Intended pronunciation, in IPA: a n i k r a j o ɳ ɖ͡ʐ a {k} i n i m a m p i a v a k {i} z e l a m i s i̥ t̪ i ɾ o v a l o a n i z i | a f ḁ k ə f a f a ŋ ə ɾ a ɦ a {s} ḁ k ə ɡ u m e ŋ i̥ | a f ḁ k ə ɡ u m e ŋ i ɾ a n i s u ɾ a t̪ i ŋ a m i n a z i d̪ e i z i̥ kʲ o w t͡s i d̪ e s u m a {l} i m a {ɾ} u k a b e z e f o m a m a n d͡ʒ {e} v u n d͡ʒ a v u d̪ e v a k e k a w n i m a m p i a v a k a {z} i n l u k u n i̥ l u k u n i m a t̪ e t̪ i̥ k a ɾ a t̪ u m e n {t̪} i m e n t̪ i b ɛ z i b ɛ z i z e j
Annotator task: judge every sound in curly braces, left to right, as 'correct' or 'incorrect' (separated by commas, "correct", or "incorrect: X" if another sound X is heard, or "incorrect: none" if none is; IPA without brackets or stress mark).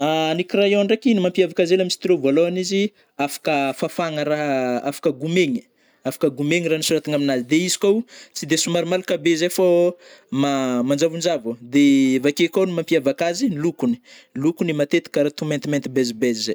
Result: correct, incorrect: a, incorrect: f, incorrect: ɾ, incorrect: l, incorrect: a, correct, correct